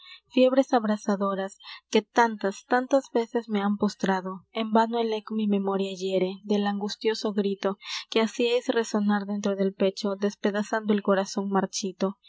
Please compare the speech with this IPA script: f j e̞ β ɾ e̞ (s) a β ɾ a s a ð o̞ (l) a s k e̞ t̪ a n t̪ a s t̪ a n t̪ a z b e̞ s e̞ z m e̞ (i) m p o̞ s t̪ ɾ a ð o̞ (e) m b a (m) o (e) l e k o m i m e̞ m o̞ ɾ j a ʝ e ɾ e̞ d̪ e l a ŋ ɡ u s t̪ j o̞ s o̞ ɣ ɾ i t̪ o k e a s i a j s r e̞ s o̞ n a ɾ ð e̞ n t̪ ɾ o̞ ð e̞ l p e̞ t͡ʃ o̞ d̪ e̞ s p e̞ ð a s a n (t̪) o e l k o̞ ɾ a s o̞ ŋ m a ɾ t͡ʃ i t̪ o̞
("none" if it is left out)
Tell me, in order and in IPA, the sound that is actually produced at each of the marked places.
s, ɾ, a, e, n, e, d̪

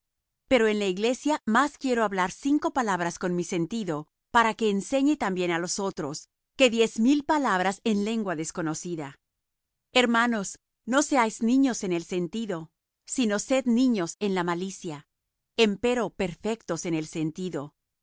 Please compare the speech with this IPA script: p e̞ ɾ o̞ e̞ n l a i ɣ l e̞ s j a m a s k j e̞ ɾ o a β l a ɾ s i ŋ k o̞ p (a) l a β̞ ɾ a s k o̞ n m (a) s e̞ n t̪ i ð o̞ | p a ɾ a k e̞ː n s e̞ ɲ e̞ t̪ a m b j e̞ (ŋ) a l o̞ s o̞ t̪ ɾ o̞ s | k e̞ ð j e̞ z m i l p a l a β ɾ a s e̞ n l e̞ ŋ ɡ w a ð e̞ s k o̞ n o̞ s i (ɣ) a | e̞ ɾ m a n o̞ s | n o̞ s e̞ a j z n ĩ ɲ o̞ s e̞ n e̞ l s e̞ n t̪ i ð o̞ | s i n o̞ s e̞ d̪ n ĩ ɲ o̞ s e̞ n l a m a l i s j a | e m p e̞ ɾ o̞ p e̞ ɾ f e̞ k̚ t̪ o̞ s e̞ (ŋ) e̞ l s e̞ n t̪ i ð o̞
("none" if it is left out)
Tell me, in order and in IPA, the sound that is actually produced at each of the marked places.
a, i, n, ð, n

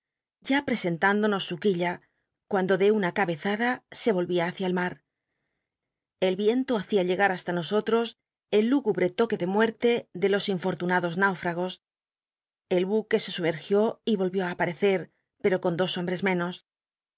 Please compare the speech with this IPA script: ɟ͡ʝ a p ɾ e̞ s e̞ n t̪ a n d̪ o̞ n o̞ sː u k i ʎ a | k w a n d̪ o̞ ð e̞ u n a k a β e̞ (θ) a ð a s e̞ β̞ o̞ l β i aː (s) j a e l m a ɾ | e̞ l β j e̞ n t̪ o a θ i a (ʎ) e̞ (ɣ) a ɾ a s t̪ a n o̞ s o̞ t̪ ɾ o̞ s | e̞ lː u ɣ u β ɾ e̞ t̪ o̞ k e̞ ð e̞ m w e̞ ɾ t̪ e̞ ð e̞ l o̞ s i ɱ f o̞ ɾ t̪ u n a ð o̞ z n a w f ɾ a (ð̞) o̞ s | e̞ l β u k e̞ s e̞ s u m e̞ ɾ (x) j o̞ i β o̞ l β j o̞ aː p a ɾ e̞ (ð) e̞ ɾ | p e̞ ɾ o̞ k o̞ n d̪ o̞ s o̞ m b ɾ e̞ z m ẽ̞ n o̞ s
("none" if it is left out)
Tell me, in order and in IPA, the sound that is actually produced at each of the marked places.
θ, θ, ʎ, ɣ, ɣ̞, x, θ

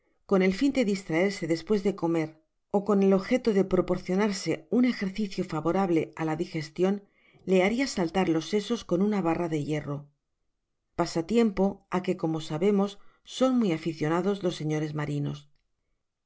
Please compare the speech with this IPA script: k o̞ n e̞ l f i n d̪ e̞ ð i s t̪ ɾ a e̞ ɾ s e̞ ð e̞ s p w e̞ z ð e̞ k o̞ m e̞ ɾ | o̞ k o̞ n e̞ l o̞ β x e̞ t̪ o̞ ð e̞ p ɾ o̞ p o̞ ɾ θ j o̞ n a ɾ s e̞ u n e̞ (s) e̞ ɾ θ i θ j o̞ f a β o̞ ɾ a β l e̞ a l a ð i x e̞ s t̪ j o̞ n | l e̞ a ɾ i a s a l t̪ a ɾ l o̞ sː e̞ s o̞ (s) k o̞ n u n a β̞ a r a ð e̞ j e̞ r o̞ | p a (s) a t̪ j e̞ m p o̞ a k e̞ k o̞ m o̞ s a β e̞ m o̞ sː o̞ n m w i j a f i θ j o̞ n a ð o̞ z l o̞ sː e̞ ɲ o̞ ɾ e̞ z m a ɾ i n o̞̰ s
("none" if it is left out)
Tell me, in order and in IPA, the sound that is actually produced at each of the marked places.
x, s, s

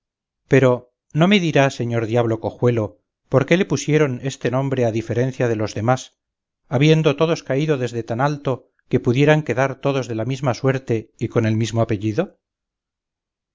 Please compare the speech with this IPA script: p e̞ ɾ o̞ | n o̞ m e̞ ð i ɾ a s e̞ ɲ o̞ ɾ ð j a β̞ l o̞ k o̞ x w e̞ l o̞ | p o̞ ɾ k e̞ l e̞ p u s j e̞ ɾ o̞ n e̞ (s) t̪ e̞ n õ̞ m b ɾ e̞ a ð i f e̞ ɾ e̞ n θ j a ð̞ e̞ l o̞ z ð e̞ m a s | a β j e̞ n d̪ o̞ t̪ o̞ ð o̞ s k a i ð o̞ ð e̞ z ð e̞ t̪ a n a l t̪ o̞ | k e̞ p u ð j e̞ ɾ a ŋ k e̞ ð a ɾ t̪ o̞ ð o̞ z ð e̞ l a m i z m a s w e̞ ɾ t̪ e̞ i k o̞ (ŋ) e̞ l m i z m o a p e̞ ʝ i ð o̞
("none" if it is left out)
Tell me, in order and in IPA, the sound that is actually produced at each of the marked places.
s, n

